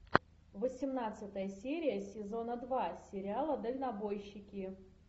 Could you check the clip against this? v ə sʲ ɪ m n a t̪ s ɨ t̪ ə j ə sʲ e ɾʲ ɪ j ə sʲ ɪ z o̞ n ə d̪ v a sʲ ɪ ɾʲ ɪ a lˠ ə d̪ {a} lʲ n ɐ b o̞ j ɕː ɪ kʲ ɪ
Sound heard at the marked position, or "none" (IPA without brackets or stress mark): ə